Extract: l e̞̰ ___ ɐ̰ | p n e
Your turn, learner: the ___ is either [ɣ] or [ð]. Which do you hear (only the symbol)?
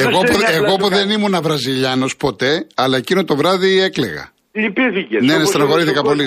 ɣ